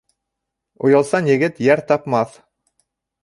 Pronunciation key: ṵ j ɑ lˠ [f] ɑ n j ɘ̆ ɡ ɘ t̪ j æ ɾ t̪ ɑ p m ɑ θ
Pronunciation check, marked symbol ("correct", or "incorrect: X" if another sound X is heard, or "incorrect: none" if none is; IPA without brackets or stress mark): incorrect: s